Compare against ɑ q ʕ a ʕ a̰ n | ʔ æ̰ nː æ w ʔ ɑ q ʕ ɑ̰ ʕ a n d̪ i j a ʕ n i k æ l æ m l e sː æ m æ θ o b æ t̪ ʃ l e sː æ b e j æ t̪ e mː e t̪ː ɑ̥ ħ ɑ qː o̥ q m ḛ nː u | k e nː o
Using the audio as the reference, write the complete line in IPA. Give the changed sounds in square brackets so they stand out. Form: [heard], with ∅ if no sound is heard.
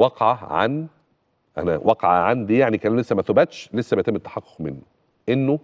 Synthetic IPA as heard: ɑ q ʕ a ʕ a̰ n | ʔ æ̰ [n] æ w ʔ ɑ q ʕ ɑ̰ ʕ a n d̪ i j a ʕ n i k æ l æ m l e sː æ m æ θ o b æ t̪ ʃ l e sː æ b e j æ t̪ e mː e t̪ː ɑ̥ ħ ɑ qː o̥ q m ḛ nː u | [ʔ] e nː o